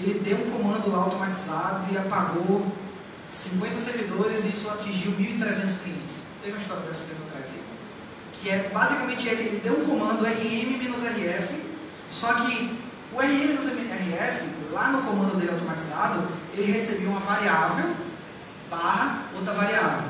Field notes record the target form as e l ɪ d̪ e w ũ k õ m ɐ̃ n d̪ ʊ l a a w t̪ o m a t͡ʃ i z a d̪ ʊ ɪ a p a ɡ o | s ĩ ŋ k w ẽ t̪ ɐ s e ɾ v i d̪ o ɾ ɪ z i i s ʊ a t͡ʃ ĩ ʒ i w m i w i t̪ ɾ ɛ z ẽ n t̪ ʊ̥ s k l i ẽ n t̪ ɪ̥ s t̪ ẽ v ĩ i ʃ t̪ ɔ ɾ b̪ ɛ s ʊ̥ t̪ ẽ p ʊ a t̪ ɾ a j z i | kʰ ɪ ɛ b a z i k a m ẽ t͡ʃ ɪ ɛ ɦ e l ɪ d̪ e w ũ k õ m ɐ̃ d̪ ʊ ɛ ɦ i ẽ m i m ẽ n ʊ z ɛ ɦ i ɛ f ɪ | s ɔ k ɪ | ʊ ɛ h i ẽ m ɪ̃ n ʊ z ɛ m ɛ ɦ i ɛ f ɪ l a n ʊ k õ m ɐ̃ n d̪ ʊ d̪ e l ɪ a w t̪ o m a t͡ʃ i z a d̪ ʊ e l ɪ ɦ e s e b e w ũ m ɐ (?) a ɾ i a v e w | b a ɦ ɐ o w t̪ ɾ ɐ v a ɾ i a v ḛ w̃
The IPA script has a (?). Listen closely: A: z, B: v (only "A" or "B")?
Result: B